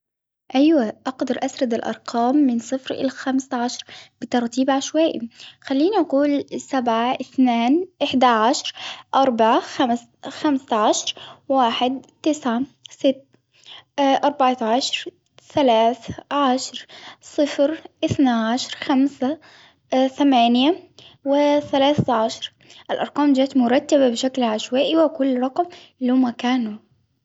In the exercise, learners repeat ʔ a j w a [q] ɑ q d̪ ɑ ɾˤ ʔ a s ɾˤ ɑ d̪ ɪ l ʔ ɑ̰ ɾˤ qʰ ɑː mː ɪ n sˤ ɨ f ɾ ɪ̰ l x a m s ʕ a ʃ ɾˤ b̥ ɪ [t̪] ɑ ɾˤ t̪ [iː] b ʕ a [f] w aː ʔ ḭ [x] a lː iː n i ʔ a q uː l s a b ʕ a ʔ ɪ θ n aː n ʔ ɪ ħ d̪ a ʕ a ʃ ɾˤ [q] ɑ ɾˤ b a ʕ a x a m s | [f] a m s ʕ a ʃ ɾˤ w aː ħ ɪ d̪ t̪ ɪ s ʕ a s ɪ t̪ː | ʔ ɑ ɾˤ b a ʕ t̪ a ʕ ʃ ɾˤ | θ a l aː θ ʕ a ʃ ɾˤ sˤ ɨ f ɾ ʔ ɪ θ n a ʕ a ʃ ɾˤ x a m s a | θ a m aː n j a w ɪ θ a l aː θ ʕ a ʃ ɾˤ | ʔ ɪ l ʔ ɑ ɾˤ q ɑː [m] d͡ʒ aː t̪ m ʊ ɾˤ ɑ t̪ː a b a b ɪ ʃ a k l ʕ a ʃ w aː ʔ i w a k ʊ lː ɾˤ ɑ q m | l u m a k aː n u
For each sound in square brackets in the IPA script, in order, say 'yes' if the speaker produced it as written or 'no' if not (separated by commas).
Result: no, yes, yes, no, yes, no, no, yes